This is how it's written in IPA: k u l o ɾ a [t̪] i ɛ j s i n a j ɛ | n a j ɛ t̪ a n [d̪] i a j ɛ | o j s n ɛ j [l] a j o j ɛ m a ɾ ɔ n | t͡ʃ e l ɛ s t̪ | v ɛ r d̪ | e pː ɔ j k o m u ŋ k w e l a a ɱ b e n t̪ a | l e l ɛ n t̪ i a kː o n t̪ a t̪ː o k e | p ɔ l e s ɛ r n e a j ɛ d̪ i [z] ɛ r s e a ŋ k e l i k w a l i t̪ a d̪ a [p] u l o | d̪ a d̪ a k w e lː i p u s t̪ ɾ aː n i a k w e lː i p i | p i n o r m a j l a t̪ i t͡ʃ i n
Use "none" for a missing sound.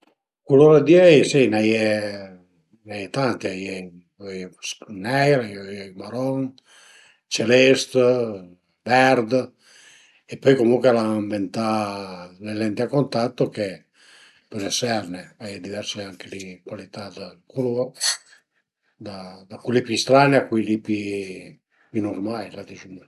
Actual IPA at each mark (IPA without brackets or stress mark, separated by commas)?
d̪, t̪, ɾ, v, k